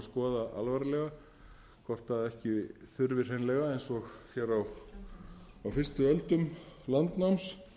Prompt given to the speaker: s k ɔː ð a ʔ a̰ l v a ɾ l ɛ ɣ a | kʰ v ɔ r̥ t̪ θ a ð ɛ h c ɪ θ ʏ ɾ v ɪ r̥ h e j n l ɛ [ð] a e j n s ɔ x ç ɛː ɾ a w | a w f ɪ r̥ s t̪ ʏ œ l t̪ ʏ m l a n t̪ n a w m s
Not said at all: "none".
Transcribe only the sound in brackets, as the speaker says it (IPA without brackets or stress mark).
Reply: ɣ